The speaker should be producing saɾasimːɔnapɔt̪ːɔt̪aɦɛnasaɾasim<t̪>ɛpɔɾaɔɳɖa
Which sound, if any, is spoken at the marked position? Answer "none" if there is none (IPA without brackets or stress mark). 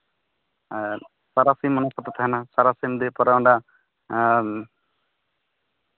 d̪